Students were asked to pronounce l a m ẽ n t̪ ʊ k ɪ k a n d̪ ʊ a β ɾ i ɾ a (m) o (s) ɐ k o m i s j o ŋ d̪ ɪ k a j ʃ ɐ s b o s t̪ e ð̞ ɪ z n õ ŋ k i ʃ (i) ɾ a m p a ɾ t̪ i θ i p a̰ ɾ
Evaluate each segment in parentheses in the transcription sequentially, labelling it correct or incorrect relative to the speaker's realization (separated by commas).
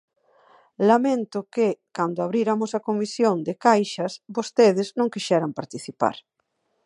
correct, correct, incorrect